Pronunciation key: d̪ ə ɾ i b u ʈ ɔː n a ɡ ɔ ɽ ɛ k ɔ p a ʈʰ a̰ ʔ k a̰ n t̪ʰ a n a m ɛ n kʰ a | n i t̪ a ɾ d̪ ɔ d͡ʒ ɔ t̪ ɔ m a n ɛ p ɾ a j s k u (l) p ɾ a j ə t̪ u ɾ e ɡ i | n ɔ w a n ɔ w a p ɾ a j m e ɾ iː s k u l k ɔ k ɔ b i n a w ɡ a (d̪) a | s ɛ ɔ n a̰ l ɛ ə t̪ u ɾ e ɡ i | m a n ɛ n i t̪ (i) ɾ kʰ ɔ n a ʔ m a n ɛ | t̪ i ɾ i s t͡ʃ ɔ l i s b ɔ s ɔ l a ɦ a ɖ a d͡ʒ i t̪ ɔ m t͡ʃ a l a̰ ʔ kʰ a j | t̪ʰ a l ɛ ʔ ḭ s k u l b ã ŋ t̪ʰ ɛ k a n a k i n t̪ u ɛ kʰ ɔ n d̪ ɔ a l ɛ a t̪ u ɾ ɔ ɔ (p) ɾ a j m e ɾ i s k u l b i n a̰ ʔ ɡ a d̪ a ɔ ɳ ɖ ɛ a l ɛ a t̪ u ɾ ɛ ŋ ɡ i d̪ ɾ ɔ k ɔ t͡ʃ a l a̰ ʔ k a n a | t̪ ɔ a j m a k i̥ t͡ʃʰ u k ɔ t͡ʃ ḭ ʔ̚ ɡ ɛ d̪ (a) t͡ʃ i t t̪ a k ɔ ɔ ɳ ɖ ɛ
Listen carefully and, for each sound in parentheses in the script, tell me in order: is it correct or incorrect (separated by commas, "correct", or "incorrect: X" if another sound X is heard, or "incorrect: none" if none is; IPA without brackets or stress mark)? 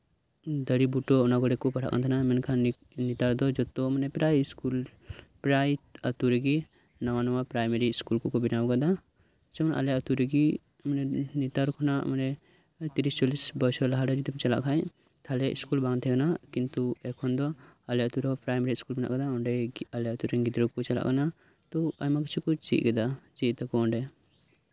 correct, correct, incorrect: a, correct, correct